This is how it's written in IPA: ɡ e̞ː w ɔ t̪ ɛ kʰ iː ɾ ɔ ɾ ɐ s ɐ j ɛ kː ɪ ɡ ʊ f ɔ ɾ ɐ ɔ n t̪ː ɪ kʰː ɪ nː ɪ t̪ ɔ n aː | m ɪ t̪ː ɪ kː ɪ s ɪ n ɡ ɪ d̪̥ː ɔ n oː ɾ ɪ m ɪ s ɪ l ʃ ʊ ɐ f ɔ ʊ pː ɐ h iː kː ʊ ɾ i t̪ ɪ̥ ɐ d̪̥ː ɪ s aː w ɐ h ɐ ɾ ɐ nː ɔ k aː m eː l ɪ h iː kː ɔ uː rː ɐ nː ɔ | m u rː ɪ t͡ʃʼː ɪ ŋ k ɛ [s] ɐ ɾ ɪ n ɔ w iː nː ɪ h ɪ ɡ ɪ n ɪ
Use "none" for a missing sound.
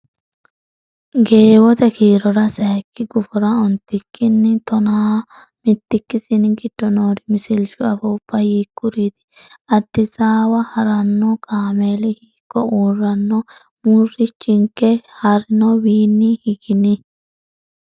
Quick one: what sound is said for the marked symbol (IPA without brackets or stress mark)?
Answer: h